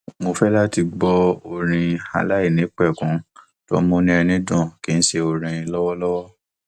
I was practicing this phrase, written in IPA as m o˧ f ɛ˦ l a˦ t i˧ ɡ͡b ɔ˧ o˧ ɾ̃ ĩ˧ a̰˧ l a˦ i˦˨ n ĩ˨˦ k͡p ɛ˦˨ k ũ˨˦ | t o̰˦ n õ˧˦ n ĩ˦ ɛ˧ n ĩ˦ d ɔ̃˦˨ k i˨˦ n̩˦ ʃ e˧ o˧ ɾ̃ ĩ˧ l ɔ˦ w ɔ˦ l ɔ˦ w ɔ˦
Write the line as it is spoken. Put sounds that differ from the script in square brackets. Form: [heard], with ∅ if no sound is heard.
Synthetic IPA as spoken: m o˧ f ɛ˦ l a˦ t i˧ ɡ͡b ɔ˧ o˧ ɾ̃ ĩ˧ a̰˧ l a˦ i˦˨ n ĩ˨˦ k͡p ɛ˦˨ k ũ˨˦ | t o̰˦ [m] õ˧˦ n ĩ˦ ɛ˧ n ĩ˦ d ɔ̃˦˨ k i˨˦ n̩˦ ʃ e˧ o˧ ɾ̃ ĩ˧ l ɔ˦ w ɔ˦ l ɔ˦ w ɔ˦